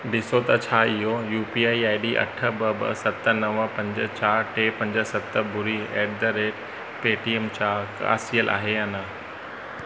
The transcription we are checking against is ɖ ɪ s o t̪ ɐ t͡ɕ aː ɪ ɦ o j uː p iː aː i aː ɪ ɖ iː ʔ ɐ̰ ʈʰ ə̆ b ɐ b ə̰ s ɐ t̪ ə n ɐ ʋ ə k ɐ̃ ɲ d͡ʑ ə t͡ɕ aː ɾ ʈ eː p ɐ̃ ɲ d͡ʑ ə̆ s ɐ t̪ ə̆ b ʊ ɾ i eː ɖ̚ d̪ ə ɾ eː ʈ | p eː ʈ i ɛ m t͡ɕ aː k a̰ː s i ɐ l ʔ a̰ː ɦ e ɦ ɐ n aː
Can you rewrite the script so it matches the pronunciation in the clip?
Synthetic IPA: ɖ ɪ s o t̪ ɐ t͡ɕʰ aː ɪ ɦ o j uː p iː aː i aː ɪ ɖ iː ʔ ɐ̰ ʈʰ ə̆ b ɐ b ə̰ s ɐ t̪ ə n ɐ ʋ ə p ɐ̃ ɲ d͡ʑ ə t͡ɕ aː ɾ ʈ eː p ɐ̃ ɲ d͡ʑ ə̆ s ɐ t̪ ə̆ b ʊ ɾ i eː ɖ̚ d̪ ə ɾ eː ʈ | p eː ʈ i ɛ m t͡ɕ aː k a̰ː s i ə l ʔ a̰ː ɦ e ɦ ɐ n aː